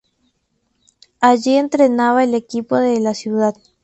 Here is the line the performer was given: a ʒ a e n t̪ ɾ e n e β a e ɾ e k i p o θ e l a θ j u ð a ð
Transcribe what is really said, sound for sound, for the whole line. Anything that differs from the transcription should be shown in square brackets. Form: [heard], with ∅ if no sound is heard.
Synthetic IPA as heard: a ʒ [i] e n t̪ ɾ e n [a] β a e [l] e k i p o [ð] e l a [s] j u ð a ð